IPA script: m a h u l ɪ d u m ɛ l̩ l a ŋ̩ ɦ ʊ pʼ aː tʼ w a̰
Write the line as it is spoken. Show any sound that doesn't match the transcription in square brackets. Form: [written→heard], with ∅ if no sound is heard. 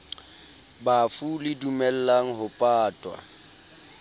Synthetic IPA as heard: [m→b] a [h→f] u l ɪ d u m ɛ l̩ l a ŋ̩ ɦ ʊ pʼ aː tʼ w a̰